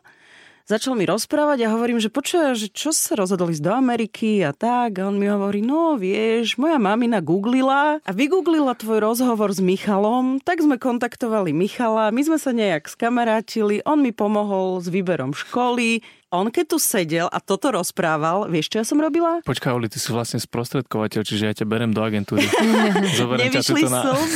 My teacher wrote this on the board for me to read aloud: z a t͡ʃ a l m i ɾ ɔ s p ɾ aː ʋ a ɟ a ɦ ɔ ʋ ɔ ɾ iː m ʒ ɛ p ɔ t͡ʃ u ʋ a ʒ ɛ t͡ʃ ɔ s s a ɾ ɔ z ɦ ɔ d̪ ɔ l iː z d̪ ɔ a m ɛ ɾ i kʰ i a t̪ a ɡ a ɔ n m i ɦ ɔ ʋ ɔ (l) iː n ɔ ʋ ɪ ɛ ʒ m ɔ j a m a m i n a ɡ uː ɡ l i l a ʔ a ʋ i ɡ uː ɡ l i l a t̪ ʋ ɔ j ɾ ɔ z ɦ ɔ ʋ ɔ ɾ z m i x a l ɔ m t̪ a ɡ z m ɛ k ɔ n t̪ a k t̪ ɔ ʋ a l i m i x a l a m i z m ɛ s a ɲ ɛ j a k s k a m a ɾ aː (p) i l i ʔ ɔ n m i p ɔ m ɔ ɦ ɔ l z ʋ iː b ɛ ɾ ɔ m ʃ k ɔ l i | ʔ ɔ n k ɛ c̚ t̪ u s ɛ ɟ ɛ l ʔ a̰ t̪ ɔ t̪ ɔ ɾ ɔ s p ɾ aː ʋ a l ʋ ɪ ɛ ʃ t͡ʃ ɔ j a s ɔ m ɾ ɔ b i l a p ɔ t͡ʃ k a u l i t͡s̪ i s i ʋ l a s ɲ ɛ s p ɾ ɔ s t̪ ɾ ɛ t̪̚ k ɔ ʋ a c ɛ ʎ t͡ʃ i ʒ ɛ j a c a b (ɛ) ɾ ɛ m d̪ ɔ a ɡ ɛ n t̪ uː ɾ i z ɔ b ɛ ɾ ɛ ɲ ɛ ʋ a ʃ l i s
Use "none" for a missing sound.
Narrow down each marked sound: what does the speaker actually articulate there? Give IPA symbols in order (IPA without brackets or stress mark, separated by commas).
ɾ, c, ɛ